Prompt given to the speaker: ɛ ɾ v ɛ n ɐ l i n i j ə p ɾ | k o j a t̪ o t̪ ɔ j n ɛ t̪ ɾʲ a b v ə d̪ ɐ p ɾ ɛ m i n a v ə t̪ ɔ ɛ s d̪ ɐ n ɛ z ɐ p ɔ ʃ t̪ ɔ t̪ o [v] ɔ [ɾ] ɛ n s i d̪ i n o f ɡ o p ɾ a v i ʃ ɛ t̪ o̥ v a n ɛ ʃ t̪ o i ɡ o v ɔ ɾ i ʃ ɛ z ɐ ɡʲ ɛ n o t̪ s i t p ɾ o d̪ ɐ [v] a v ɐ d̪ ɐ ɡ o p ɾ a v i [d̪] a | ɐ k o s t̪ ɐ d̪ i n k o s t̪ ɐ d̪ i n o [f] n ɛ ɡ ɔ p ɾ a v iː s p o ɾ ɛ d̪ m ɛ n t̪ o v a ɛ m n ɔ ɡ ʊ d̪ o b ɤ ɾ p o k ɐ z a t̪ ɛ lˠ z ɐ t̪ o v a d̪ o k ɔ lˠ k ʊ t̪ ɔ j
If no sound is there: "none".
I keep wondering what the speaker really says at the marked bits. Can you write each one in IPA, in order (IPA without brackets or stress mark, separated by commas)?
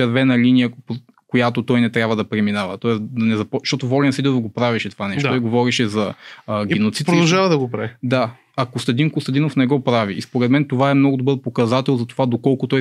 v, l, ʒ, d̪, f